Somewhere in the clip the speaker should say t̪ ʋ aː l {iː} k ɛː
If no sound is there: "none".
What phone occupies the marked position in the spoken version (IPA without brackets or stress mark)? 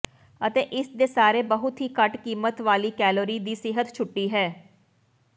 iː